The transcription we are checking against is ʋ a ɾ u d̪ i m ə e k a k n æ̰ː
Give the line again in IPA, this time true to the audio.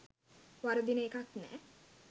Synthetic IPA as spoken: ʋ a ɾ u d̪ i n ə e k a k n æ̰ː